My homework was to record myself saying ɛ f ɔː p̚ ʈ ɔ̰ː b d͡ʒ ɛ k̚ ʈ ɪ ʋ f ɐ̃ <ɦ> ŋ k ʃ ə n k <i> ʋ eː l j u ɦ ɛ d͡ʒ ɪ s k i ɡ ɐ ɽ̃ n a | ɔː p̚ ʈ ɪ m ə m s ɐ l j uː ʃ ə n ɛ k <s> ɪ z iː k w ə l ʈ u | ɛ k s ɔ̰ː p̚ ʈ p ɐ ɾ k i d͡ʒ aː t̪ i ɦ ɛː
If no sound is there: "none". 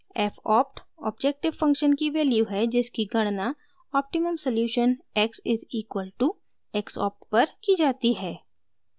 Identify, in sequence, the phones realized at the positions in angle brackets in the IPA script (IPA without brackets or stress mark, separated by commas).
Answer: none, i, s